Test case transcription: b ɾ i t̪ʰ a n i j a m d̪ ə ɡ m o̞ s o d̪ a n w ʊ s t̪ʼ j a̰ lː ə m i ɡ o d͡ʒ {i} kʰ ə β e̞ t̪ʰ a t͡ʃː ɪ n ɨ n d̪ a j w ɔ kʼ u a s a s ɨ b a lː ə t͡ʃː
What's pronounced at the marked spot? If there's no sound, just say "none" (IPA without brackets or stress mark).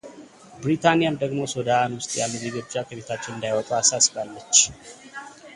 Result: a